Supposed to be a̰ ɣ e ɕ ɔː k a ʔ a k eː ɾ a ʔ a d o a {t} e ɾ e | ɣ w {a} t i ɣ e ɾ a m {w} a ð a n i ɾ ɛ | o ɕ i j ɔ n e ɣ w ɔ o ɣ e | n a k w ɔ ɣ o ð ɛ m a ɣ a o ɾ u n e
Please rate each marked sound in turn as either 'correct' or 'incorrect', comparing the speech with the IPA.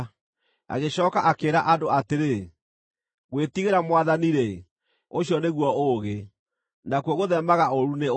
correct, incorrect: e, correct

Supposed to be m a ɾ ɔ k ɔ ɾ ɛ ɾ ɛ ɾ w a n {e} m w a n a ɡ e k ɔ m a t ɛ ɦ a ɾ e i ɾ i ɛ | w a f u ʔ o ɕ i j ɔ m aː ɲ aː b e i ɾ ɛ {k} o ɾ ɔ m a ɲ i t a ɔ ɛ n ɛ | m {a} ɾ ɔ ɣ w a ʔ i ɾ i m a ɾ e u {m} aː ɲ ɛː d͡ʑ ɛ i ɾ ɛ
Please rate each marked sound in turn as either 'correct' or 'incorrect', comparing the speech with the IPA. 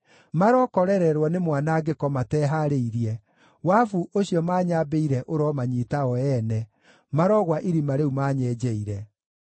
correct, incorrect: ʔ, correct, correct

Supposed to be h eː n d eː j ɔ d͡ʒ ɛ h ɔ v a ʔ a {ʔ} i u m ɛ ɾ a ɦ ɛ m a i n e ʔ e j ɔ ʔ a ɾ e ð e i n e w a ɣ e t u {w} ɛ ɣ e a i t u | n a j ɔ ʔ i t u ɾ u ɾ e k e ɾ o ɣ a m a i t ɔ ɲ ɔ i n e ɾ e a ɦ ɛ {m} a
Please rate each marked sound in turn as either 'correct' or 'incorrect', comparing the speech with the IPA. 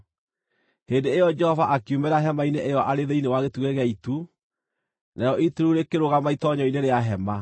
incorrect: k, incorrect: ɣ, correct

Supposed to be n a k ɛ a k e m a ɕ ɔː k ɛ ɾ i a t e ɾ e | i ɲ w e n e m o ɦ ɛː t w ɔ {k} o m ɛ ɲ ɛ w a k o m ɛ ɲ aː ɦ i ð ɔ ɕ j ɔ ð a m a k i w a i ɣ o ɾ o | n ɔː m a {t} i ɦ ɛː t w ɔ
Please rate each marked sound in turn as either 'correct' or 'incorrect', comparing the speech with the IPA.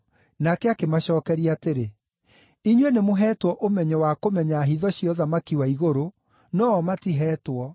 incorrect: ʔ, correct

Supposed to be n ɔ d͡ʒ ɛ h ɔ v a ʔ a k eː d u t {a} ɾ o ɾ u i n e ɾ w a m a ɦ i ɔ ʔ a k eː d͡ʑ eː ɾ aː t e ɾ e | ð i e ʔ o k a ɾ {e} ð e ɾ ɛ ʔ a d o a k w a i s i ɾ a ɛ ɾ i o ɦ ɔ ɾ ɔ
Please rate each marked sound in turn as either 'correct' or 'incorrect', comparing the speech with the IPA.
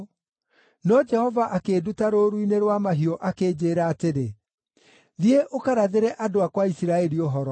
correct, incorrect: a

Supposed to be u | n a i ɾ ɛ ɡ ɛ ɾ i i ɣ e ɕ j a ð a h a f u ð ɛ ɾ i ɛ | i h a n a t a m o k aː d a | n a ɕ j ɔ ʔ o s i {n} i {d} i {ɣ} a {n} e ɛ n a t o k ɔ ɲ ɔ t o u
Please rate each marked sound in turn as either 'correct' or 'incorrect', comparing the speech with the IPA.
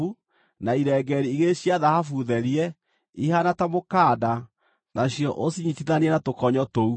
incorrect: ɲ, incorrect: t, incorrect: ð, correct

